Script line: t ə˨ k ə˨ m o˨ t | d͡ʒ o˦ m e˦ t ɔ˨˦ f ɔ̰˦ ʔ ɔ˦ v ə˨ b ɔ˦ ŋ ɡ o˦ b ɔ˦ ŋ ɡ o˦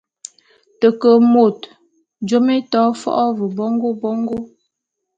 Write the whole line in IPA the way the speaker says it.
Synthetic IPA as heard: t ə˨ k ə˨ m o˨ t | d͡ʒ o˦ m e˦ t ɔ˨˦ f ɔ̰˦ ʔ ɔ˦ v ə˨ b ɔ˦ ŋ ɡ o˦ b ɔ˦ ŋ ɡ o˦